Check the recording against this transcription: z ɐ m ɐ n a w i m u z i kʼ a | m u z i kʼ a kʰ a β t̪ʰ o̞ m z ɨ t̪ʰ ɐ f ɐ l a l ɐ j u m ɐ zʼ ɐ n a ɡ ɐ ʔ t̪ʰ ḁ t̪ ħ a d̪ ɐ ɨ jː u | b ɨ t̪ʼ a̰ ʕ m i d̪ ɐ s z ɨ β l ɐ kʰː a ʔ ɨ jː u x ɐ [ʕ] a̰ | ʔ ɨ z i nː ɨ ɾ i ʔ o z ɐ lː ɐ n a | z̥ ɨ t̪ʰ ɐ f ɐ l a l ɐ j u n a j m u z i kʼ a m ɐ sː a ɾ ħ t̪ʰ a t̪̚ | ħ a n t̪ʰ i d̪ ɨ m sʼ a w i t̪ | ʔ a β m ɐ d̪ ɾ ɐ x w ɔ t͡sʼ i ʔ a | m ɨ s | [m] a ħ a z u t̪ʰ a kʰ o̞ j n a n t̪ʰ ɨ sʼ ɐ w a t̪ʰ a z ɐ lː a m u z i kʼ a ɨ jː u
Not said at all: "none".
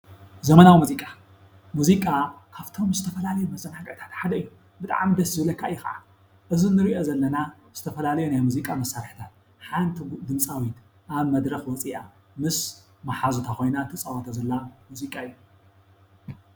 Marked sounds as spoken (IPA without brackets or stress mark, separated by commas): ʕ, m